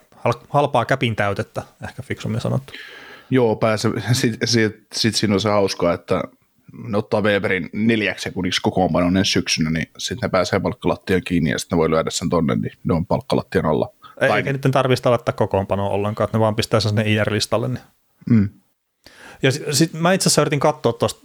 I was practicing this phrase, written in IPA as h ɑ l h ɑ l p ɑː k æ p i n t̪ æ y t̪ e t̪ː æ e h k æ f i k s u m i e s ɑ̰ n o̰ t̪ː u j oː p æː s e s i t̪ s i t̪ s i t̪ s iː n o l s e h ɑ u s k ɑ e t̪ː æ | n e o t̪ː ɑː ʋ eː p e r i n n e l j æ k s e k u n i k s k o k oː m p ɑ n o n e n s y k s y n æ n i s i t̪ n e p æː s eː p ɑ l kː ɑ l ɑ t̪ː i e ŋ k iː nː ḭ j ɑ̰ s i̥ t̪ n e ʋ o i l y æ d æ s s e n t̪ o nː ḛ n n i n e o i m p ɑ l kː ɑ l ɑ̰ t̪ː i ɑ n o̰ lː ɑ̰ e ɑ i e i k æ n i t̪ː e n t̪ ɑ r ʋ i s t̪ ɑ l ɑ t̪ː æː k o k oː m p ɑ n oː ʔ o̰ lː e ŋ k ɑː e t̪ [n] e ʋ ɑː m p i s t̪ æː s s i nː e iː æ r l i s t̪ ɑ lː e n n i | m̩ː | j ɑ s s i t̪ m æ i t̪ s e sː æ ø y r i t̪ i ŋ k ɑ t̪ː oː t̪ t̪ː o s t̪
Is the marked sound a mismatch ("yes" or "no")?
no